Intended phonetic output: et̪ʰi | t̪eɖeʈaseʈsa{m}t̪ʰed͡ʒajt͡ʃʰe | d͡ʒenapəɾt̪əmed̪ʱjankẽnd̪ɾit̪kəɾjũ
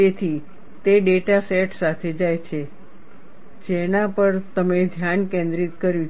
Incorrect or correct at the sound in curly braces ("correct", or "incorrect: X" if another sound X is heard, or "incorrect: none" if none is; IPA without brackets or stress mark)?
incorrect: none